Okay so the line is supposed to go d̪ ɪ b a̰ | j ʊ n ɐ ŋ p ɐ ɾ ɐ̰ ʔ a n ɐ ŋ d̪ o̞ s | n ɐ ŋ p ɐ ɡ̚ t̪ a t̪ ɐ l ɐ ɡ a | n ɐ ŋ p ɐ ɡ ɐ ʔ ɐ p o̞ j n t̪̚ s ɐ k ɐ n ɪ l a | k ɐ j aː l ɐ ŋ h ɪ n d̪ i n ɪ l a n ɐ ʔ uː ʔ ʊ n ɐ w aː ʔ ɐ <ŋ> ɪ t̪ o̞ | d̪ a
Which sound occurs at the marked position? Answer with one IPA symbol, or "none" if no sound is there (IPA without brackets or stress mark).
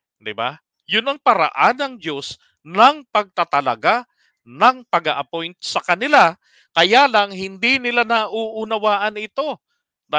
n